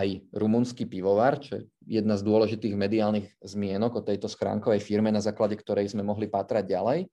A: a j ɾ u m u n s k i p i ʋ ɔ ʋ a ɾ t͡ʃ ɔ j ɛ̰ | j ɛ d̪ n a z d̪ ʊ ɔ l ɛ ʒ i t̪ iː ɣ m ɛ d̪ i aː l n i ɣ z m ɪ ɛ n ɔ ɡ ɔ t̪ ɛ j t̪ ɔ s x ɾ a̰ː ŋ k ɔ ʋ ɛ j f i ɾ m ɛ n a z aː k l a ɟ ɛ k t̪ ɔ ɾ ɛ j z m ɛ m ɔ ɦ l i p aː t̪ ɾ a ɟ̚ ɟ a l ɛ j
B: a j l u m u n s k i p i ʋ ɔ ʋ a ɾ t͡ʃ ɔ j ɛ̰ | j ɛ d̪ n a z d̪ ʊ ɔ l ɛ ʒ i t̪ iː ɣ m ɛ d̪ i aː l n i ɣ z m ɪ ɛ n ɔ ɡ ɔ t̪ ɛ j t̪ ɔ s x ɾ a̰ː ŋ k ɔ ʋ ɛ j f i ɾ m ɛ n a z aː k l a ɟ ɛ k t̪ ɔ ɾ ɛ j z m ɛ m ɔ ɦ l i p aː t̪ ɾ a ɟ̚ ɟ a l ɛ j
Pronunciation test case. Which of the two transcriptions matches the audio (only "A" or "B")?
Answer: A